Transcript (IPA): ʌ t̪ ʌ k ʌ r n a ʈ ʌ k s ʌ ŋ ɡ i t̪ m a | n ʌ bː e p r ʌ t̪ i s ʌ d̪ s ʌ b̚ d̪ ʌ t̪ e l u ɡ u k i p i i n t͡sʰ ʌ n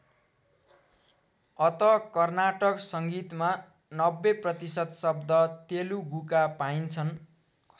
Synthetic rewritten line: ʌ t̪ ʌ k ʌ r n a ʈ ʌ k s ʌ ŋ ɡ i t̪ m a | n ʌ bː e p r ʌ t̪ i s ʌ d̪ s ʌ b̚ d̪ ʌ t̪ e l u ɡ u k a p a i n t͡sʰ ʌ n